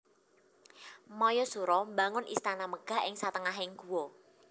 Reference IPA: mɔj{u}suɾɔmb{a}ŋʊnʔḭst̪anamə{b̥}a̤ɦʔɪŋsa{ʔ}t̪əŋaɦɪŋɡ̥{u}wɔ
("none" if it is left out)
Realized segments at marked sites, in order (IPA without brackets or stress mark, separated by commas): ɔ, a, ɡ̥, none, u